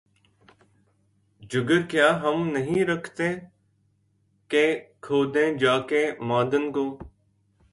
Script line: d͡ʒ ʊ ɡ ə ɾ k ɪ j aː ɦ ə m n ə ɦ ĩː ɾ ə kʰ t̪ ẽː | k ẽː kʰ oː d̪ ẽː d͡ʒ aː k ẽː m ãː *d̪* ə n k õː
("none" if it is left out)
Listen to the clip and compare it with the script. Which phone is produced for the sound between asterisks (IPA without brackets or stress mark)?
d̪